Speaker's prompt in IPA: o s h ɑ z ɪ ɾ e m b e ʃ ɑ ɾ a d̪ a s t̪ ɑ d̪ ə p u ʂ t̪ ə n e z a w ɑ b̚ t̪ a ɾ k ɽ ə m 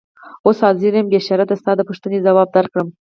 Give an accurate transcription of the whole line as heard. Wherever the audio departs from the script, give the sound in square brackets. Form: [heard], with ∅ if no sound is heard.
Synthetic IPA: o s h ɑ z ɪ ɾ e m b e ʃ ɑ ɾ a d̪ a s t̪ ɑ d̪ ə p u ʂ t̪ ə n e z a w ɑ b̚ [d̪] a ɾ k ɽ ə m

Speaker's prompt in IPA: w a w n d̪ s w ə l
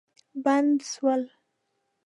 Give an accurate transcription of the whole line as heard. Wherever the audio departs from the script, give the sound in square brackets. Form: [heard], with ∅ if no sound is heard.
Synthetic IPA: [b] a [∅] n d̪ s w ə l

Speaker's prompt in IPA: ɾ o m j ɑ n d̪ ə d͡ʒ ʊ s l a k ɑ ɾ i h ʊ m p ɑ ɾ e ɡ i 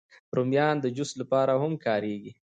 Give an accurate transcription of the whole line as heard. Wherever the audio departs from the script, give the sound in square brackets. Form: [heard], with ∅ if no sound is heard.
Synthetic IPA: ɾ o m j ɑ n d̪ ə d͡ʒ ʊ s l a [p] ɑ ɾ [a] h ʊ m [k] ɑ ɾ e ɡ i

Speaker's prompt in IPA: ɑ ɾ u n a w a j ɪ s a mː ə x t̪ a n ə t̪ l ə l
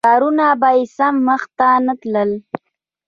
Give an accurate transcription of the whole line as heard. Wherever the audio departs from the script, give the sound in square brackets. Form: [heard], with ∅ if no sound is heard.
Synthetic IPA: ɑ ɾ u n a [b] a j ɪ s a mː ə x t̪ a n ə t̪ l ə l

